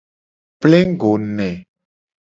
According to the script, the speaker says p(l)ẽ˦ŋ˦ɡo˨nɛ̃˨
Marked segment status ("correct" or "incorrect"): correct